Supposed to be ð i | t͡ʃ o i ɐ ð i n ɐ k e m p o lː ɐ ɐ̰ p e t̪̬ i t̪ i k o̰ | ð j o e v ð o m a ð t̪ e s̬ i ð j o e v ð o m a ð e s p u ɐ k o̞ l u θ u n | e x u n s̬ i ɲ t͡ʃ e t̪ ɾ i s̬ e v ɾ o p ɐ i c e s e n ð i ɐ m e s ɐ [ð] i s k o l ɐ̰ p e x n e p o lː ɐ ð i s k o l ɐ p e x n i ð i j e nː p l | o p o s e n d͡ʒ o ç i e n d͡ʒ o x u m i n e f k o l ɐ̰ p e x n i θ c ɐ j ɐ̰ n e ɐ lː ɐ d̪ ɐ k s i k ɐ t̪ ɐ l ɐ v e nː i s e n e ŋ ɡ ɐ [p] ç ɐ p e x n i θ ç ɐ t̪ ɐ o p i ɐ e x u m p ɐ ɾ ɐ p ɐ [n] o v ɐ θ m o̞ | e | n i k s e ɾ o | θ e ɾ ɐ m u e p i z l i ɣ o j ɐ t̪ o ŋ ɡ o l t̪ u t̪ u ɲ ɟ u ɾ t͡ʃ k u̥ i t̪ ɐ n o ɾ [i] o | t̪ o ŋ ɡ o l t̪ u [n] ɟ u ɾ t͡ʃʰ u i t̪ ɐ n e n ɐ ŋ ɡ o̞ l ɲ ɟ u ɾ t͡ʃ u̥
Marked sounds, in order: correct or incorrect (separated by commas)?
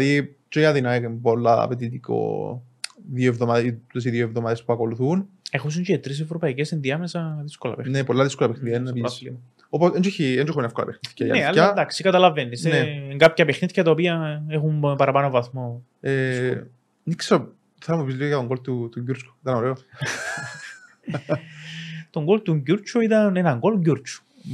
correct, correct, correct, incorrect, incorrect